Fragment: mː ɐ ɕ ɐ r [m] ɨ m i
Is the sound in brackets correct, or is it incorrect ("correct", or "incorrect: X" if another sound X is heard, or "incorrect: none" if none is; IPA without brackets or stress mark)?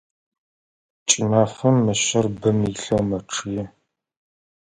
incorrect: b